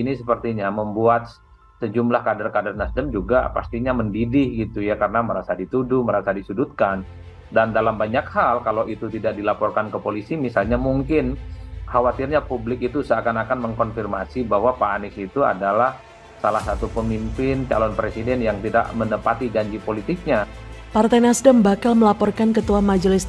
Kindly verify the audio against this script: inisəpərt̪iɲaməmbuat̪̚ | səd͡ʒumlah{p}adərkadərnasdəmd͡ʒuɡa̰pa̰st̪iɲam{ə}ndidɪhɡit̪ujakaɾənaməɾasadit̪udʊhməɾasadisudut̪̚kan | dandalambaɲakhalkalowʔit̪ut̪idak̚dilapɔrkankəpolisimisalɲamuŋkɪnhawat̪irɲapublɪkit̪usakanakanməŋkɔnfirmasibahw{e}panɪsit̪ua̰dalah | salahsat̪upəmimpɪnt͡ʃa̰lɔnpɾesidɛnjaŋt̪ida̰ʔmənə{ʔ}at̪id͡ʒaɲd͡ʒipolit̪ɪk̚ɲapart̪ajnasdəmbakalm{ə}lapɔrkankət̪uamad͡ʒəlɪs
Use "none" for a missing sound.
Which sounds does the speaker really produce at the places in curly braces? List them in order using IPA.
k, ə, a, p, ə

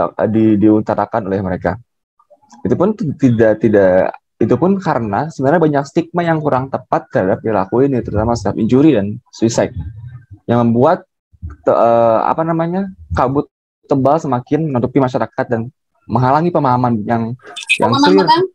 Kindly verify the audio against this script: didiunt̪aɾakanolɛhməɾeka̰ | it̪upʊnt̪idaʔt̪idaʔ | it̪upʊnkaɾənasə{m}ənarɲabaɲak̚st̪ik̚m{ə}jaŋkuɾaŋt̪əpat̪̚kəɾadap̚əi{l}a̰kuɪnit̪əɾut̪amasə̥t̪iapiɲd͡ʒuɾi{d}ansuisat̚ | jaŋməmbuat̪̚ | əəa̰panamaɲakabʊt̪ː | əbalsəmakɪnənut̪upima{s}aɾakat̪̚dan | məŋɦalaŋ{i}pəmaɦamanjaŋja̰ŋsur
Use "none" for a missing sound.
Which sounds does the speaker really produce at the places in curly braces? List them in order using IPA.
b, a, l, d, ʃ, i

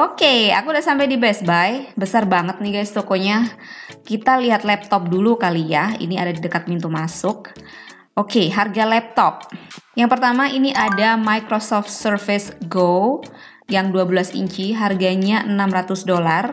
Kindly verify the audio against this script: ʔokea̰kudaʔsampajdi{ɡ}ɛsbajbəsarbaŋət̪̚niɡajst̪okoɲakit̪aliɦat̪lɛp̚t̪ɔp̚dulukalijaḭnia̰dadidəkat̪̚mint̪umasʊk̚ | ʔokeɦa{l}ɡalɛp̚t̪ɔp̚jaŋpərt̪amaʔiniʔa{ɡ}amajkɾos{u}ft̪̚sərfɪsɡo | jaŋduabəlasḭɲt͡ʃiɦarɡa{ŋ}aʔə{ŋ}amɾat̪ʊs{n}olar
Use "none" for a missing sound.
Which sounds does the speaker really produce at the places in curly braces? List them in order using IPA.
b, r, d, ɔ, ɲ, n, d

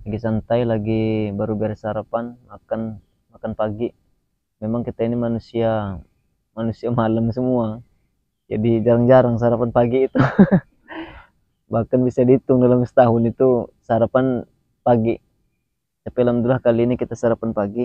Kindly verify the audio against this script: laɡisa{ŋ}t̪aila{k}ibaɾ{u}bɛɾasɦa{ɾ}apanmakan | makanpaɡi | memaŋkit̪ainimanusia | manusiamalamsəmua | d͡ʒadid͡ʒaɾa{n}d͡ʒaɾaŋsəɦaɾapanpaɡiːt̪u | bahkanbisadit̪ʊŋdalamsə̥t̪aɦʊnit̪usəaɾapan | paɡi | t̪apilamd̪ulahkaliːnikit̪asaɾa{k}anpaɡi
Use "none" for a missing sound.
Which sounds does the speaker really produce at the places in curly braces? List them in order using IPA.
n, ɡ, u, ɾ, ŋ, p

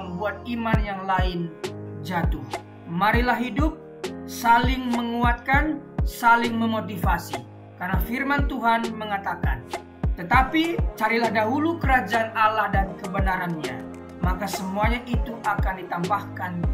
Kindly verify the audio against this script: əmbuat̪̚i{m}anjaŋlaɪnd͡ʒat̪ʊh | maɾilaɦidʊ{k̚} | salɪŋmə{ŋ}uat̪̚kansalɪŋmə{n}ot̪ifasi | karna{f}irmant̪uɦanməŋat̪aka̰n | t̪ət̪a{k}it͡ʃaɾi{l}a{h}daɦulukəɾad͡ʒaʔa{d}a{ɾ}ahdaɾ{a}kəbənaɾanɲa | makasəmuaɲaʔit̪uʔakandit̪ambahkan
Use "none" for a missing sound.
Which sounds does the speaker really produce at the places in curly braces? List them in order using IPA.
m, p̚, ŋ, m, f, p, l, h, n, l, i

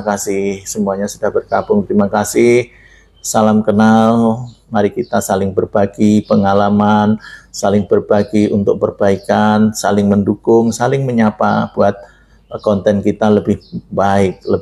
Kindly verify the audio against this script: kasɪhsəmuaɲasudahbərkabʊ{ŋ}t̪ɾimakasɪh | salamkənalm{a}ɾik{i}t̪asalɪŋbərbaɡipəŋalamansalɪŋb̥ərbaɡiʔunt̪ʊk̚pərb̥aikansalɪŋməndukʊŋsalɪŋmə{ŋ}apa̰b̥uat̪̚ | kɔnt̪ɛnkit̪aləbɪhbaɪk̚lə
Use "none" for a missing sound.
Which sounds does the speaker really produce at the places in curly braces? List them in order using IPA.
ŋ, a, i, ɲ

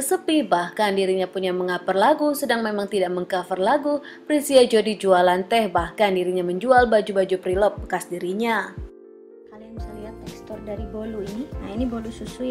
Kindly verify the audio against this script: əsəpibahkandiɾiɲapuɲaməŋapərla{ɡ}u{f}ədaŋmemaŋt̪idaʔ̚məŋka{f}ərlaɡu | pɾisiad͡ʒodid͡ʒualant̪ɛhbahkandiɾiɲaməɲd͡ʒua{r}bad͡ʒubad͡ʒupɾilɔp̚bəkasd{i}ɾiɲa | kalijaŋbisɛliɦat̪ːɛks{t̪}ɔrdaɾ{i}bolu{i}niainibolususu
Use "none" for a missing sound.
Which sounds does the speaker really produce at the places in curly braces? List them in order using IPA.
ɡ, s, f, l, i, t̪, i, i

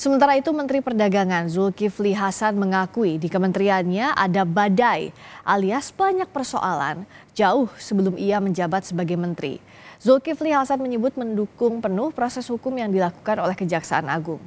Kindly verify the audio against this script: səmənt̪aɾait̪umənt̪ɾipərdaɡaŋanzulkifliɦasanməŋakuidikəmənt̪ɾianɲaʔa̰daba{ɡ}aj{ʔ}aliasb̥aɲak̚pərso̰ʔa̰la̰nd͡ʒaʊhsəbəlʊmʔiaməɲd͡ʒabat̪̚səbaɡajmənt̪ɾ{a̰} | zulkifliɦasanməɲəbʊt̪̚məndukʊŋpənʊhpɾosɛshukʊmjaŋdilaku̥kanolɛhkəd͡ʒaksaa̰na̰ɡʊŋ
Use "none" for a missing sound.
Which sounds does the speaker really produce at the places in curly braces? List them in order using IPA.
d, ʔ, ḭ

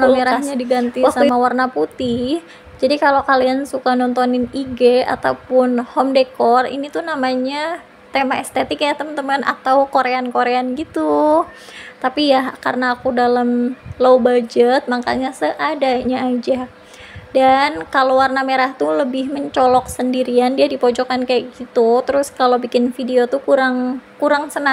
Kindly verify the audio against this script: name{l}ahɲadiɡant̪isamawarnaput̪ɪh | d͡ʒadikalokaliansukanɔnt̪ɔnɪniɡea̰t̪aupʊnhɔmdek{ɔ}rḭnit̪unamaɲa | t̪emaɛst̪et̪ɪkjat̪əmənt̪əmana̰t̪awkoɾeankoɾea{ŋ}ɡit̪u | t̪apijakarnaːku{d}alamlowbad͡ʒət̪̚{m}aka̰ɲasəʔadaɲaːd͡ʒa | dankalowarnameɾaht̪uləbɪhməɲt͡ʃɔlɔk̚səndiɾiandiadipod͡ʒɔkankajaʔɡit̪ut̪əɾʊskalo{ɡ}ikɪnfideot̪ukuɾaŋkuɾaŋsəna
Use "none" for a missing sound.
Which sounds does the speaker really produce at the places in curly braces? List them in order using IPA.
ɾ, ɔ, n, d, m, b

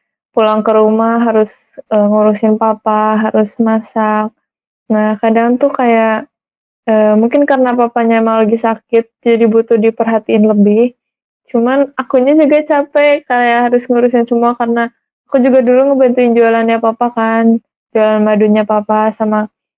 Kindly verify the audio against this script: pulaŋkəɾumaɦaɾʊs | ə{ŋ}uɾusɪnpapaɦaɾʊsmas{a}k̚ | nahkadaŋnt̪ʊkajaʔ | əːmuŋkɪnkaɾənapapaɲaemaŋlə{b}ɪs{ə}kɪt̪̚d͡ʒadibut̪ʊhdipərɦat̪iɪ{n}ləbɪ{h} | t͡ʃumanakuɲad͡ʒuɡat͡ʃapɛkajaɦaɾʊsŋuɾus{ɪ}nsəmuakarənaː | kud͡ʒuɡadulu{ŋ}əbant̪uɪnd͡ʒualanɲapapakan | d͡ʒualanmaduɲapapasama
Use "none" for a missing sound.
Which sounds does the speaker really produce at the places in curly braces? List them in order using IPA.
ŋ, a, ɡ, a, n, h, ɪ, ŋ

